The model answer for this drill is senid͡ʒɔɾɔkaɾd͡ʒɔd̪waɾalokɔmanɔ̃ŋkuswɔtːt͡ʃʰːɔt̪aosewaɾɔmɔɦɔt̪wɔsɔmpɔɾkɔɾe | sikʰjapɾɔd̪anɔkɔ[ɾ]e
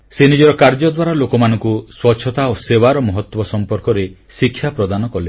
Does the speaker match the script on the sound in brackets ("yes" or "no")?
no